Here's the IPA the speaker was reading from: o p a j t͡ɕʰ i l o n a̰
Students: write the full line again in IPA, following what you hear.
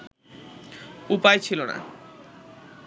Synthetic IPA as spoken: u p a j t͡ɕʰ i l o n a̰